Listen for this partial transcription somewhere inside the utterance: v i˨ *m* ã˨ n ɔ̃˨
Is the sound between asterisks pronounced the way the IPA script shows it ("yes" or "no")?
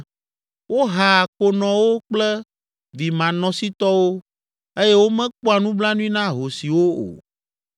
yes